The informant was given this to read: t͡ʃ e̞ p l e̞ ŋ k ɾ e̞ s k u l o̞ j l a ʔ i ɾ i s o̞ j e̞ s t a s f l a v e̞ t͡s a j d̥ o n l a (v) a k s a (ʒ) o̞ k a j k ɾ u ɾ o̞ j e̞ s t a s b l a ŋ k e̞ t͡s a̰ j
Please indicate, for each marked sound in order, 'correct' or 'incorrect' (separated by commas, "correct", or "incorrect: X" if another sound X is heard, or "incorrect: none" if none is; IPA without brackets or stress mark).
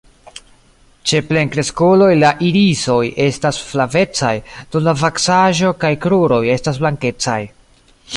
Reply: correct, correct